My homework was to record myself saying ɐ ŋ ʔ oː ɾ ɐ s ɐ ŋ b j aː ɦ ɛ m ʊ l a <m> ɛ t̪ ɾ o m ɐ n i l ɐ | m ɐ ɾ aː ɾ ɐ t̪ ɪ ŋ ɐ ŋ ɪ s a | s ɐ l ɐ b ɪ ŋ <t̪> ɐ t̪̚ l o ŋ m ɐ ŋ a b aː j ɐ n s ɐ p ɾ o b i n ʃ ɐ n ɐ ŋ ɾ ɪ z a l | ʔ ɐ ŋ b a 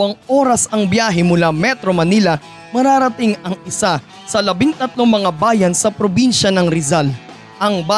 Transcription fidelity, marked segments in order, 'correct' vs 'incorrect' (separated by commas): correct, correct